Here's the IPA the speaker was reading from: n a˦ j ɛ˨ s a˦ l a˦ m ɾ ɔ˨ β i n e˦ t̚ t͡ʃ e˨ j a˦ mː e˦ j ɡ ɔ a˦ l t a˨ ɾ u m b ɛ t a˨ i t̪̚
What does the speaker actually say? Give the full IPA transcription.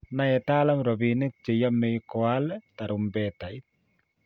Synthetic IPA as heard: n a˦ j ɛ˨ t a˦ l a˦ m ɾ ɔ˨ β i n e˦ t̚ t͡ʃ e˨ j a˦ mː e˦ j k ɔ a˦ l t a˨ ɾ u m b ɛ t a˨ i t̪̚